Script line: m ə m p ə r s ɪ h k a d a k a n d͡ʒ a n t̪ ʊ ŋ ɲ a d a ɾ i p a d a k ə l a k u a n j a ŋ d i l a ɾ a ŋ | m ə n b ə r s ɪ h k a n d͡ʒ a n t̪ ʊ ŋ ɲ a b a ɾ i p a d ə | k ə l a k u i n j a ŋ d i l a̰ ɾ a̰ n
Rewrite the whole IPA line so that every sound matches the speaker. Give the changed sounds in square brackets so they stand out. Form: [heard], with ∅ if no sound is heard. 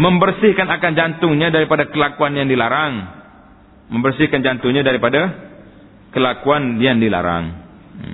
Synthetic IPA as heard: m ə m [b] ə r s ɪ h k a [n] a k a n d͡ʒ a n t̪ ʊ ŋ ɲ a d a ɾ i p a d a k ə l a k u a n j a ŋ d i l a ɾ a ŋ | m ə [m] b ə r s ɪ h k a n d͡ʒ a n t̪ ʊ ŋ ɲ a [d] a ɾ i p a d [a] | k ə l a k u [a] n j a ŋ d i l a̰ ɾ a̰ [ŋ]